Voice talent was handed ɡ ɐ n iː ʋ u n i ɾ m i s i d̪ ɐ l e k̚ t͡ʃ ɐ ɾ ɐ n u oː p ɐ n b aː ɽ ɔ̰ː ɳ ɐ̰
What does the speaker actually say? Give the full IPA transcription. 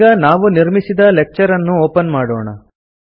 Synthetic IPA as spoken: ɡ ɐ n aː ʋ u n i ɾ m i s i d̪ ɐ l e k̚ t͡ʃ ɐ ɾ ɐ nː u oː p ɐ n m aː ɽ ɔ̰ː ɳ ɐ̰